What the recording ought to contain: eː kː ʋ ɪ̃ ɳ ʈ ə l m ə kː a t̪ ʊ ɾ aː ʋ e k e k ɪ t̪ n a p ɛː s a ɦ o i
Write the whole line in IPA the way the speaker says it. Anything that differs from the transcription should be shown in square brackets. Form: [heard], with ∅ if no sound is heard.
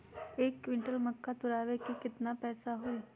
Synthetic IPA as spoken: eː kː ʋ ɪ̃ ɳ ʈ ə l m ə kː a t̪ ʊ ɾ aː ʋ e k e k ɪ t̪ n a p ɛː s a ɦ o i